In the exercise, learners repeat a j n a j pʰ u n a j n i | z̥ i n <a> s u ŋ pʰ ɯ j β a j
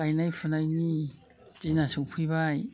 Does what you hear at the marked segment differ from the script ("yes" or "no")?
no